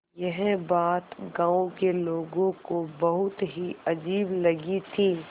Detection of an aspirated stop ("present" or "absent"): present